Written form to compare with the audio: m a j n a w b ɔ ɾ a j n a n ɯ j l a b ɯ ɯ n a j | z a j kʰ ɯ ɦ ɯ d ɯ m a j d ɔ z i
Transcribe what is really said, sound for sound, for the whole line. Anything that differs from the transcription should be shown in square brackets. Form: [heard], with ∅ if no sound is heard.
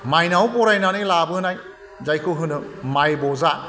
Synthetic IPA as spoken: m a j n a w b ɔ ɾ a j n a n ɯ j l a b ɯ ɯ n a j | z a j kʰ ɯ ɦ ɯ [n] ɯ m a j [b] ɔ z [a]